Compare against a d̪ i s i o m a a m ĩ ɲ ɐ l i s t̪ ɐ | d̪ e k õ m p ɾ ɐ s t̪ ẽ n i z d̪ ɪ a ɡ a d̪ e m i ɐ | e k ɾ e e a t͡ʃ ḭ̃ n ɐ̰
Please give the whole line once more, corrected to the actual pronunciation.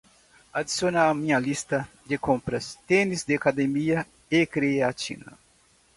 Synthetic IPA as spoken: a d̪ i s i o n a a m ĩ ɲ ɐ l i s t̪ ɐ | d̪ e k õ m p ɾ ɐ s t̪ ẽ n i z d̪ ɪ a k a d̪ e m i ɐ | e k ɾ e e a t͡ʃ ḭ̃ n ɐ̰